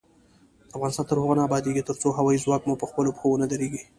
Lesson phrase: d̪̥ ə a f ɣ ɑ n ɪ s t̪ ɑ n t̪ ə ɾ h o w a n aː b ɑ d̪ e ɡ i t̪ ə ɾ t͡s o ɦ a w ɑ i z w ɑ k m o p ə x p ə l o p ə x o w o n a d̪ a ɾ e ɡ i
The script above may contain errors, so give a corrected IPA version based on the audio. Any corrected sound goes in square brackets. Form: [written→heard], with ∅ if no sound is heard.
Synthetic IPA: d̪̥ ə a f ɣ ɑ n ɪ s t̪ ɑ n t̪ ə ɾ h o [w→ɣ] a n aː b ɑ d̪ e ɡ i t̪ ə ɾ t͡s o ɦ a w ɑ i z w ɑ k m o p ə x p ə l o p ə x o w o n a d̪ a ɾ e ɡ i